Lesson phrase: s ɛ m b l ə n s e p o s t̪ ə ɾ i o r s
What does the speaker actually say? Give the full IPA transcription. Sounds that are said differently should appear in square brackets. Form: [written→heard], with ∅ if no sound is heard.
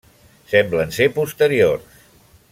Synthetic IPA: s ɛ m b l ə n s e p [o→u] s t̪ ə ɾ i o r s